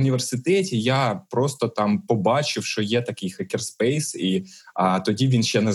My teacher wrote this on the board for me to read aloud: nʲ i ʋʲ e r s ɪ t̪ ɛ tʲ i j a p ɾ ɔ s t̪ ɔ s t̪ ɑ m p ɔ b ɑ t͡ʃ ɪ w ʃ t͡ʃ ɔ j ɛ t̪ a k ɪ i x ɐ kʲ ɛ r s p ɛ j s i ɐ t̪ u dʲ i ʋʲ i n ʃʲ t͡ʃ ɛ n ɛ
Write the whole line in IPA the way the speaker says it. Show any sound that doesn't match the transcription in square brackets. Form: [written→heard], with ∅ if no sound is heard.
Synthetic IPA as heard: nʲ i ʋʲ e r s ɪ t̪ ɛ tʲ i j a p ɾ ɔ s t̪ ɔ [s→∅] t̪ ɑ m p ɔ b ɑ t͡ʃ ɪ w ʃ t͡ʃ ɔ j ɛ t̪ [a→ɐ] k ɪ [i→j] x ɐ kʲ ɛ r s p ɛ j s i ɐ t̪ [u→ɔ] dʲ i ʋʲ i n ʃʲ t͡ʃ ɛ n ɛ